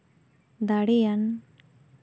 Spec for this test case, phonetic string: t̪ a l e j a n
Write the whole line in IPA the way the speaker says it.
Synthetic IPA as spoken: d̪ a ɽ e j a n

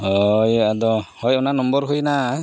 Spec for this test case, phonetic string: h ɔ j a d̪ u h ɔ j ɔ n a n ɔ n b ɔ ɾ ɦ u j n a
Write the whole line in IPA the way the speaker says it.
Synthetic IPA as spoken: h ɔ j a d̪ ɔ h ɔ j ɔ n a n ɔ m b ɔ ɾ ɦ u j n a

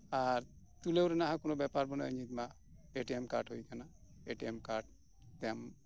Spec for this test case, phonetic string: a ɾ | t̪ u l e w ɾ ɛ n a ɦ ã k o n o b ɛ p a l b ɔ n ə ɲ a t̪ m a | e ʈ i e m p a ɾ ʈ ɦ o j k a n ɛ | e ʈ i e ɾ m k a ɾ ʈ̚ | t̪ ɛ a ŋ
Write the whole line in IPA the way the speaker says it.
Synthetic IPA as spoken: a ɾ | t̪ u l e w ɾ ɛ n a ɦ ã k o n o b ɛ p a ɾ b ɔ n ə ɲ i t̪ m a | e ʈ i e m k a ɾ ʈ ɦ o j k a n a | e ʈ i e m k a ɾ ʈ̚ | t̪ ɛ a m

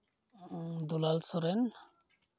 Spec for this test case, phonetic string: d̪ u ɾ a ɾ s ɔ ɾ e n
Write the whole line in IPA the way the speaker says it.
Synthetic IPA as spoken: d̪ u l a l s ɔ ɾ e n

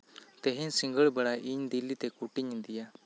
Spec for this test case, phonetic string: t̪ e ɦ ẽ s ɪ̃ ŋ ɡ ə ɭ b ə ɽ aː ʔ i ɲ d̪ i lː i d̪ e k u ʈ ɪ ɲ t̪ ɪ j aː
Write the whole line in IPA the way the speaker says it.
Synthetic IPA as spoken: t̪ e ɦ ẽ s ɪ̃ ŋ ɡ ə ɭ b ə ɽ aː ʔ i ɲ d̪ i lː i t̪ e k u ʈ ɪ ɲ d̪ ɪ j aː

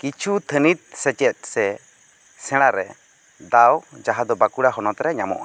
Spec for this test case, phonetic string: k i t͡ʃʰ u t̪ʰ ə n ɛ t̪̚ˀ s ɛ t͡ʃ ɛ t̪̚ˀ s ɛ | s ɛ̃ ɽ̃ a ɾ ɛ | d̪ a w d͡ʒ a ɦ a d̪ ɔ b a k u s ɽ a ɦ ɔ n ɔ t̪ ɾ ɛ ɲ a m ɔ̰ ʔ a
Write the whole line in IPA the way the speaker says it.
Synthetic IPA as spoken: k i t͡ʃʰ u t̪ʰ ə n i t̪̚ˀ s ɛ t͡ʃ ɛ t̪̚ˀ s ɛ | s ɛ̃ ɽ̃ a ɾ ɛ | d̪ a w d͡ʒ a ɦ a d̪ ɔ b a k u ɽ a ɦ ɔ n ɔ t̪ ɾ ɛ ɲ a m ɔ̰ ʔ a

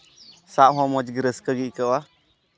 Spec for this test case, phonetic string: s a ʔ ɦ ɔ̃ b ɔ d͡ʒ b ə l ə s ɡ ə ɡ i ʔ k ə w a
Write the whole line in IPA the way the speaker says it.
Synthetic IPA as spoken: s a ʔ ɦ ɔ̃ m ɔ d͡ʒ ɡ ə ɾ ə s k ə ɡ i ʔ k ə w a

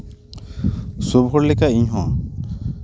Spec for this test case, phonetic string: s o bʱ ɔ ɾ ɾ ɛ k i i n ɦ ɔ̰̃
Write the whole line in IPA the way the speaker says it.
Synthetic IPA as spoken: s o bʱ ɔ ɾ l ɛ k a i ɲ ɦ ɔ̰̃

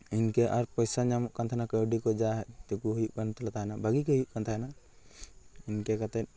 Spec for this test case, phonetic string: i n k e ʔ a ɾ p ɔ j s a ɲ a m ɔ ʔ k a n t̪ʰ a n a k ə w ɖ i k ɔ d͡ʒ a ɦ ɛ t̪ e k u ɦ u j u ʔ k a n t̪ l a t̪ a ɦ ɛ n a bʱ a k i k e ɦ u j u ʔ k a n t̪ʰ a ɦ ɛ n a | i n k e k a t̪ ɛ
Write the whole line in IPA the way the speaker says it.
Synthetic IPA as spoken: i n k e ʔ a ɾ p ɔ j s a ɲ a m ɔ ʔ k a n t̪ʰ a n a k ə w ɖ i k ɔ d͡ʒ a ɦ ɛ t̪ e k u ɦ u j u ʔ k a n t̪ l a t̪ a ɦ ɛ n a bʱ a ɡ i k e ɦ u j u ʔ k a n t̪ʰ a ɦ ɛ n a | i n k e k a t̪ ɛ

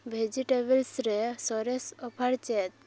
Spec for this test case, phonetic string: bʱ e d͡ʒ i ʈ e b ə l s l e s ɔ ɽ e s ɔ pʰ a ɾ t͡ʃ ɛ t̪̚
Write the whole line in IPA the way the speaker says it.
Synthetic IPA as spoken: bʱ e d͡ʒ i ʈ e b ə l s ɾ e s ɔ ɾ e s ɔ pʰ a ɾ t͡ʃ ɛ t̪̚

